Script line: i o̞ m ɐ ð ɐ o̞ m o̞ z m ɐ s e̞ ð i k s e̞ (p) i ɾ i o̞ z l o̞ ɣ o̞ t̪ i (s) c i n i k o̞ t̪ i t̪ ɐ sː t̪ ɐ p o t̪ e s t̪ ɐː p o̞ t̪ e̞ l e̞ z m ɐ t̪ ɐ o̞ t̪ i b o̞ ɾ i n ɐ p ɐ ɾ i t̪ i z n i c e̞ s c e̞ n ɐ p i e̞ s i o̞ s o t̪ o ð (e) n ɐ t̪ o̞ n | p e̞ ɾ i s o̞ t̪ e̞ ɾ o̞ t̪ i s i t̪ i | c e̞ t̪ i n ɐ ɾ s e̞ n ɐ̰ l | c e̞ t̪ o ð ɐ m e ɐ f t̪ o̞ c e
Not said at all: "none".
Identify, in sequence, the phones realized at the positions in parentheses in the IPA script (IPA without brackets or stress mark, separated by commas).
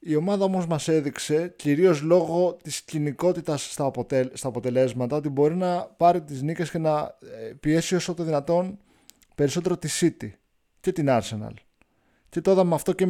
c, s, i